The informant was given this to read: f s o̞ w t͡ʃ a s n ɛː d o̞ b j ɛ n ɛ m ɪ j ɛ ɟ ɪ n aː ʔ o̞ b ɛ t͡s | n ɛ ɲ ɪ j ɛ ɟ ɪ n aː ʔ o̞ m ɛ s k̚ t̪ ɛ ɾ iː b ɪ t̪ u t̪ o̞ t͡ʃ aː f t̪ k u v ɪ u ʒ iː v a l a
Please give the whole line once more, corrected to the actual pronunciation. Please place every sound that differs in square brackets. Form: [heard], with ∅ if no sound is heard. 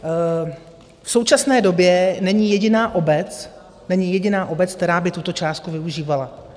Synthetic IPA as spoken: f s o̞ w t͡ʃ a s n ɛː d o̞ b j ɛ n ɛ [ɲ] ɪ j ɛ ɟ ɪ n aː ʔ o̞ b ɛ t͡s | n ɛ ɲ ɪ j ɛ ɟ ɪ n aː ʔ o̞ [b] ɛ [t͡s] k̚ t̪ ɛ ɾ [aː] b ɪ t̪ u t̪ o̞ t͡ʃ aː [s] t̪ k u v ɪ u ʒ iː v a l a